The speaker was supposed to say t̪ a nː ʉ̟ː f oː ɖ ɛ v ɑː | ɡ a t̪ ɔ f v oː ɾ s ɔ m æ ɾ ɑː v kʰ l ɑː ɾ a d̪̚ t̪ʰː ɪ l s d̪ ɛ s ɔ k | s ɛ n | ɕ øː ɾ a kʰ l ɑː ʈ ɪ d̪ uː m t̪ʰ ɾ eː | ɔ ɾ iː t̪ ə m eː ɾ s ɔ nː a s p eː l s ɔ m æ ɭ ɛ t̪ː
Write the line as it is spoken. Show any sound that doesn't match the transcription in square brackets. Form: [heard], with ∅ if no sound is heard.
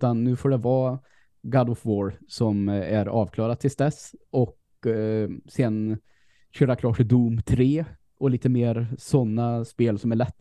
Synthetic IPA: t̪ a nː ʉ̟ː f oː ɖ ɛ v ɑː | ɡ a [d̪] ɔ f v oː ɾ s ɔ m æ ɾ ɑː v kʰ l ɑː ɾ a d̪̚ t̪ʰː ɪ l s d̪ ɛ s ɔ k | s ɛ n | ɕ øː ɾ a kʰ l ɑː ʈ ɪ d̪ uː m t̪ʰ ɾ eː | ɔ [l] iː t̪ ə m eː ɾ s ɔ nː a s p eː l s ɔ m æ ɭ ɛ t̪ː